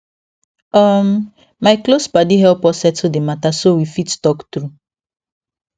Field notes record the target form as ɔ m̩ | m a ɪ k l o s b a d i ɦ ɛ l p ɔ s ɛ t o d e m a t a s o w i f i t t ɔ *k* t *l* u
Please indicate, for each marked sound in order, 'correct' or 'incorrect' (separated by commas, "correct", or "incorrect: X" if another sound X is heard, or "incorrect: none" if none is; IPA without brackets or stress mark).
correct, incorrect: ɾ